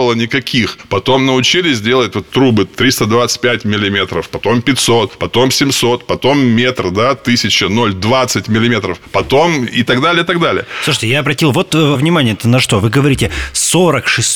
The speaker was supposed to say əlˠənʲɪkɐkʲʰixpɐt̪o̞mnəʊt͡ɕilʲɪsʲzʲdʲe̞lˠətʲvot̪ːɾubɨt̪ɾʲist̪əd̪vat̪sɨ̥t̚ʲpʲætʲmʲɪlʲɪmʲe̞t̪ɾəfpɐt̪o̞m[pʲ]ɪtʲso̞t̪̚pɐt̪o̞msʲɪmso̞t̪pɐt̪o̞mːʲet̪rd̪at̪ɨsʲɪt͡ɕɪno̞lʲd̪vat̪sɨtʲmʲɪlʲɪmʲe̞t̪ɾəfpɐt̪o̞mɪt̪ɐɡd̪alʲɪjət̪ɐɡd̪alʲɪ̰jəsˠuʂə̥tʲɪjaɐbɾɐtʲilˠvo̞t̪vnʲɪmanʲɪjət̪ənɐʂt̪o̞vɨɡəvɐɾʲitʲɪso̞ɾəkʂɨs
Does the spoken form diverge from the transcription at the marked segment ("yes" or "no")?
no